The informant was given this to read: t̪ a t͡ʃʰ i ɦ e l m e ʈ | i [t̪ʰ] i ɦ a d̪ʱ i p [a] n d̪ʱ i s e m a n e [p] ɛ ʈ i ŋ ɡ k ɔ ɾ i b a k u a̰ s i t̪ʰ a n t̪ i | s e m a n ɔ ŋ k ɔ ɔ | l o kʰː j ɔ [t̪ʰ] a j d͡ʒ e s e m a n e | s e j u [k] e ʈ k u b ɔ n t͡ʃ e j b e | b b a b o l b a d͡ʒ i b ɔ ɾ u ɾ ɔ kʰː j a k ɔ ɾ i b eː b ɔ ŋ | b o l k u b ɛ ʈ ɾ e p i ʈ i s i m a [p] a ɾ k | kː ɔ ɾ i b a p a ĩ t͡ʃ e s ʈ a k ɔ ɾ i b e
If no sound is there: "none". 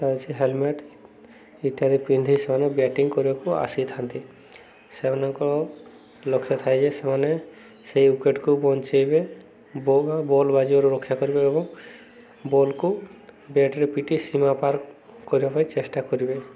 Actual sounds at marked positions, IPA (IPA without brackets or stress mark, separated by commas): t̪, i, b, t̪ʰ, k, p